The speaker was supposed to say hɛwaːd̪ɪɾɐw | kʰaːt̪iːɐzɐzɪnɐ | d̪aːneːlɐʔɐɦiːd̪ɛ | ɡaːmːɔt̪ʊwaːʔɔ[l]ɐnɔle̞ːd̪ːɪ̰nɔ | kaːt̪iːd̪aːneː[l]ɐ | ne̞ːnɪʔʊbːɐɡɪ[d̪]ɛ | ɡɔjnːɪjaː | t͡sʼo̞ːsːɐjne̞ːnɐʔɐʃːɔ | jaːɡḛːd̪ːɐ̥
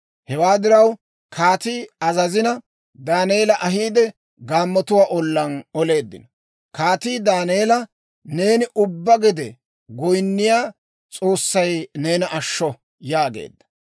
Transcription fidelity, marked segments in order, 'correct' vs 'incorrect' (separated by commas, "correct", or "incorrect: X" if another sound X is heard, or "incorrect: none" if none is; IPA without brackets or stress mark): incorrect: lː, correct, correct